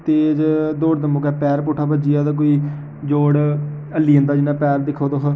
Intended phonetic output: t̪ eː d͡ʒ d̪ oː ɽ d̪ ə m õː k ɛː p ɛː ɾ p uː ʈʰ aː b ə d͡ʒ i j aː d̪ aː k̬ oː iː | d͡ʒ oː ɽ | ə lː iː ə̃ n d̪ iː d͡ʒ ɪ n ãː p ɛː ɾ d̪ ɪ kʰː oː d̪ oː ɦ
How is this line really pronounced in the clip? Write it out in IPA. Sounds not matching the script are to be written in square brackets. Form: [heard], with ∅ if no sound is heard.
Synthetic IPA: t̪ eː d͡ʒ d̪ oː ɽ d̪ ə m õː k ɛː p ɛː ɾ p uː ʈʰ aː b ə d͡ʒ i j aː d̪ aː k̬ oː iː | d͡ʒ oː ɽ | ə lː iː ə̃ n d̪ [aː] d͡ʒ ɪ n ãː p ɛː ɾ d̪ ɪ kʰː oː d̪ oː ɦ